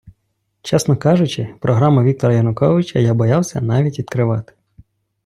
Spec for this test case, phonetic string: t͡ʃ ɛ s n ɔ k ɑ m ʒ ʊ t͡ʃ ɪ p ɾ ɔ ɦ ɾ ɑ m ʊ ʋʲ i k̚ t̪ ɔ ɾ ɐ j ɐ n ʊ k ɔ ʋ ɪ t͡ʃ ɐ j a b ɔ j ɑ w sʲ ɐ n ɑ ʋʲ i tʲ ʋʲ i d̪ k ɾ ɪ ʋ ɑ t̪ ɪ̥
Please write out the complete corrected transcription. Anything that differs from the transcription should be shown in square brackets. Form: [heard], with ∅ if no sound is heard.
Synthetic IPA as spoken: t͡ʃ ɛ s n ɔ k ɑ [∅] ʒ ʊ t͡ʃ ɪ p ɾ ɔ ɦ ɾ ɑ m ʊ ʋʲ i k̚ t̪ ɔ ɾ ɐ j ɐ n ʊ k ɔ ʋ ɪ t͡ʃ ɐ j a b ɔ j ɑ w sʲ ɐ n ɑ ʋʲ i tʲ ʋʲ i d̪ k ɾ ɪ ʋ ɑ t̪ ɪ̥